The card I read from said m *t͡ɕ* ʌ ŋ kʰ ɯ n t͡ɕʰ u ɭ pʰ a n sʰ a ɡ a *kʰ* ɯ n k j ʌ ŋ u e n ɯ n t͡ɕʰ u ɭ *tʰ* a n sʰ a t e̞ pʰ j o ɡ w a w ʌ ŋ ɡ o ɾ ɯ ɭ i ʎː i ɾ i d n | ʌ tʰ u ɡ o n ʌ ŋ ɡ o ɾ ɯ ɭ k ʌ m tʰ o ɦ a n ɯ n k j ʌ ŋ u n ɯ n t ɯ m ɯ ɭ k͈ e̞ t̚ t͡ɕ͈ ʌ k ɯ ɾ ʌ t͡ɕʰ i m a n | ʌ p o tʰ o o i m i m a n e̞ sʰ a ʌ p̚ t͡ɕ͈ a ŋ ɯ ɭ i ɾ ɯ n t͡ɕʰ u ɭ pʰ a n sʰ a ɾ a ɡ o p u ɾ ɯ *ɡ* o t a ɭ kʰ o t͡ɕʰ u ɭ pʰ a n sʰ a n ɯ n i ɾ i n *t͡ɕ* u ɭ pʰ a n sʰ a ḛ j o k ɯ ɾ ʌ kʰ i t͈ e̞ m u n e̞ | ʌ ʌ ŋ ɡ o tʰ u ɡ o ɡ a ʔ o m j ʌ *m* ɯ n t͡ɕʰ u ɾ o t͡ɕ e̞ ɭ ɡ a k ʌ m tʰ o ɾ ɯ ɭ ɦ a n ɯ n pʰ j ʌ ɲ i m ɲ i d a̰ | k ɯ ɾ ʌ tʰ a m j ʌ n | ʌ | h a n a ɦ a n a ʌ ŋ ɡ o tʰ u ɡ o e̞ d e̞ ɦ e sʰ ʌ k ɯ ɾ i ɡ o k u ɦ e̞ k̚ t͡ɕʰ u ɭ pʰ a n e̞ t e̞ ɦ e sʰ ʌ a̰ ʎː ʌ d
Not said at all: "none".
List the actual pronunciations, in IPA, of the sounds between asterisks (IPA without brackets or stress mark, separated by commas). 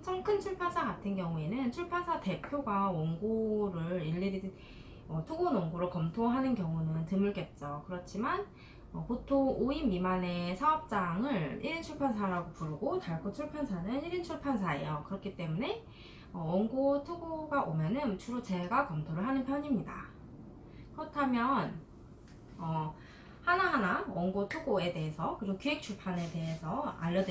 t͡ɕʰ, tʰ, pʰ, ɡ, t͡ɕʰ, n